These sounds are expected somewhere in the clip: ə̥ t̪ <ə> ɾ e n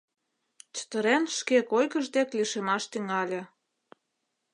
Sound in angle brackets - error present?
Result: no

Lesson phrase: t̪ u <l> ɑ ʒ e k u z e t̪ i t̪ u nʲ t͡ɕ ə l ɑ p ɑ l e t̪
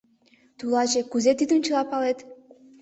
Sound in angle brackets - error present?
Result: no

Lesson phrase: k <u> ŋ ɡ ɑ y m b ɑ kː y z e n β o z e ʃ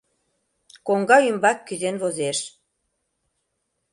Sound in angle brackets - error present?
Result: yes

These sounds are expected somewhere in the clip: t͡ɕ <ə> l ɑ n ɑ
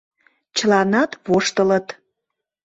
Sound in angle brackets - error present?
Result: no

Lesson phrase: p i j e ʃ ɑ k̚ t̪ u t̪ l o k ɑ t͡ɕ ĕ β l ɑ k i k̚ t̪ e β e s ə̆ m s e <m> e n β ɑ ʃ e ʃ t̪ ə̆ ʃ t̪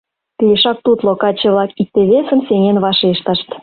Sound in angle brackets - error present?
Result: yes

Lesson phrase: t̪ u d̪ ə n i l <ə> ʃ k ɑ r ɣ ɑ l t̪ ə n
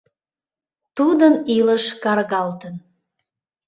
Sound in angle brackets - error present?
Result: no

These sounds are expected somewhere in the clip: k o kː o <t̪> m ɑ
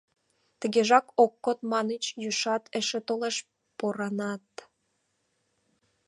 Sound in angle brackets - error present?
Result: no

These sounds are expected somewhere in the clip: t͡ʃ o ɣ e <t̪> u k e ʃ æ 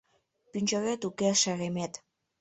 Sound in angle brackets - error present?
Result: no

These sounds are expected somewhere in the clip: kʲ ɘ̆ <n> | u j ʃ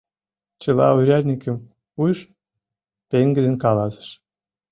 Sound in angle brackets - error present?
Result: yes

